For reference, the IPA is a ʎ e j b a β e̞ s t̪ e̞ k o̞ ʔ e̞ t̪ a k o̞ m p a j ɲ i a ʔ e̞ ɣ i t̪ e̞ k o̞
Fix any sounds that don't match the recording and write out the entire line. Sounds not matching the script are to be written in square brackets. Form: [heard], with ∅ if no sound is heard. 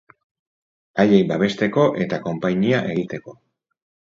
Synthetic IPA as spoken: a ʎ e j b a β e̞ s t̪ e̞ k o̞ ʔ e̞ t̪ a k o̞ m p a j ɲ i a ʔ e̞ ɣ i t̪ e̞ k o̞